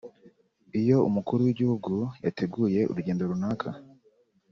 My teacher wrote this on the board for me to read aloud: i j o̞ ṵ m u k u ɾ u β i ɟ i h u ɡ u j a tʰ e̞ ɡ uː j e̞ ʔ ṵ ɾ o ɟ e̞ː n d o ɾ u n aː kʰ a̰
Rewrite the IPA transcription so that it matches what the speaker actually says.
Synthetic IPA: i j o̞ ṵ m u k u ɾ u w i ɟ i h u ɡ u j a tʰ e̞ ɡ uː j e̞ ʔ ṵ ɾ u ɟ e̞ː n d o ɾ u n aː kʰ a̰